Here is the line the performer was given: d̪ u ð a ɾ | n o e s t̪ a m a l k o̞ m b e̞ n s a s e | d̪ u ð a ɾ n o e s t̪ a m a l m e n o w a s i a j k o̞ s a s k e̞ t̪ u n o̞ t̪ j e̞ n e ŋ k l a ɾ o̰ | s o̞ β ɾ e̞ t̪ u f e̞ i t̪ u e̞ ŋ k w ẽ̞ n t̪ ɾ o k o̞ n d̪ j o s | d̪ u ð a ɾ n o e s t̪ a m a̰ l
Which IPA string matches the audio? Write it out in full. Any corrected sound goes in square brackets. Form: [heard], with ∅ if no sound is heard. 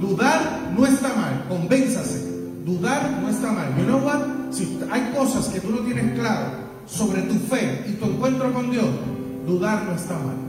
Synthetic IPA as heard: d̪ u ð a ɾ | n o e s t̪ a m a l k o̞ m b e̞ n s a s e | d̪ u ð a ɾ n o e s t̪ a m a l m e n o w a s i a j k o̞ s a s k e̞ t̪ u n o̞ t̪ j e̞ n e ŋ k l a ɾ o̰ | s o̞ β ɾ e̞ t̪ u f e̞ i t̪ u e̞ ŋ k w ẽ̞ n t̪ ɾ o k o̞ n d̪ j o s | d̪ u ð a ɾ n o e s t̪ a m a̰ l